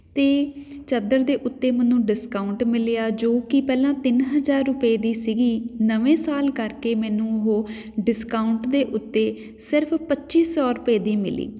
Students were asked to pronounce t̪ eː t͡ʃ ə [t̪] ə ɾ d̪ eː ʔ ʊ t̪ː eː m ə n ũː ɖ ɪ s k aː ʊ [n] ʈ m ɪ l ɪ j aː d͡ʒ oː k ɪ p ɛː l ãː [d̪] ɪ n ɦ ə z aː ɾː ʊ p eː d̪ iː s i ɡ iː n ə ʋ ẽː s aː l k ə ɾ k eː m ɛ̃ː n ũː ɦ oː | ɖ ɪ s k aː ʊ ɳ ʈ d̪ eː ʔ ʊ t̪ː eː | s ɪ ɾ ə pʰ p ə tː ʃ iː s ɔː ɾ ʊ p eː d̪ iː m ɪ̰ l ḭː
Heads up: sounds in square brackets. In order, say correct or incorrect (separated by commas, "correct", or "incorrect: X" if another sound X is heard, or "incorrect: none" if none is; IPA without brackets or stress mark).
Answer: incorrect: d̪, incorrect: ɳ, incorrect: t̪